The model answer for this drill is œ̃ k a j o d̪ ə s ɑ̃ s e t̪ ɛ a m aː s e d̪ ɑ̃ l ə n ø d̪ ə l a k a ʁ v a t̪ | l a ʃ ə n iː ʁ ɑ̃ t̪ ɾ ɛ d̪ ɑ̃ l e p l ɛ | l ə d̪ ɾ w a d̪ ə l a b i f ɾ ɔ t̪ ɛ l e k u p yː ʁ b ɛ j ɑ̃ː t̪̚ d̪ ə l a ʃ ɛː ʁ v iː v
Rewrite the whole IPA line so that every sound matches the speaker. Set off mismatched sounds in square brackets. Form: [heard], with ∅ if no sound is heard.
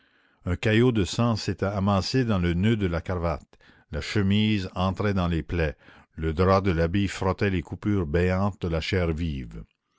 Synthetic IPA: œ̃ k a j o d̪ ə s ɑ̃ s e t̪ ɛ a m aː s e d̪ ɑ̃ l ə n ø d̪ ə l a k a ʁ v a t̪ | l a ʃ ə [m] iː [z] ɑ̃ t̪ ɾ ɛ d̪ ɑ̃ l e p l ɛ | l ə d̪ ɾ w a d̪ ə l a b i f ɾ ɔ t̪ ɛ l e k u p yː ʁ b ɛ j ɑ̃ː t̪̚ d̪ ə l a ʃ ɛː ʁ v iː v